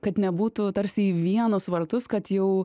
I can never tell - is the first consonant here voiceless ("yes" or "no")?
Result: yes